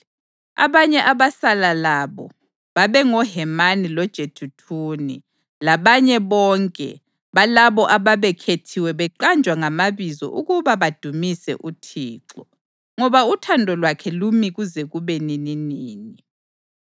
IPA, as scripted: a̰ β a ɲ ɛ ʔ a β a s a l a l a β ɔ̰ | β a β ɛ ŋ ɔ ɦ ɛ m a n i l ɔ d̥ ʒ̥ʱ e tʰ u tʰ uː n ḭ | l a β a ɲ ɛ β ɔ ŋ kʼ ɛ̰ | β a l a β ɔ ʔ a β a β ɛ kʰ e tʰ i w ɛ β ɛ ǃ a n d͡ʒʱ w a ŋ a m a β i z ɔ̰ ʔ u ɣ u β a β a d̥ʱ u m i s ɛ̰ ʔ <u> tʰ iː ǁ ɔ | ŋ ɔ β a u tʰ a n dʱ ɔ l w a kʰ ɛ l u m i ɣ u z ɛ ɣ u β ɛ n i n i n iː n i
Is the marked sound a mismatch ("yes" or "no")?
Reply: no